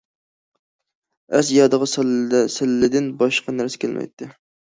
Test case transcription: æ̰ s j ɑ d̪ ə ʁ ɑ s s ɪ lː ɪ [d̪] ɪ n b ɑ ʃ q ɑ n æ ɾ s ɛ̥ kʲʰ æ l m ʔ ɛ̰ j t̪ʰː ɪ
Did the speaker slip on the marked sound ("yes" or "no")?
no